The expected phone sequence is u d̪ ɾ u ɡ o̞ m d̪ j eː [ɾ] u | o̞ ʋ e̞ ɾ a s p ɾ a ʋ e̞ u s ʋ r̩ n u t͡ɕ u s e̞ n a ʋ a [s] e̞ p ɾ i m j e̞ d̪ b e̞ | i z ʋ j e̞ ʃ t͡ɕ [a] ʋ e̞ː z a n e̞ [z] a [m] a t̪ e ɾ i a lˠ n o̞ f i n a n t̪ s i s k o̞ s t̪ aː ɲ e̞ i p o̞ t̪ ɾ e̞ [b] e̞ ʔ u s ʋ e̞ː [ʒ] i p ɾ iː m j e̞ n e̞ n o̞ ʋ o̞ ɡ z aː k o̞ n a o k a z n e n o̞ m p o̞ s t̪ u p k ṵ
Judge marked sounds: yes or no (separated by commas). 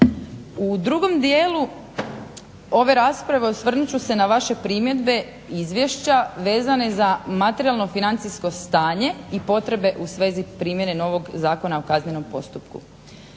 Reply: no, no, yes, yes, yes, yes, no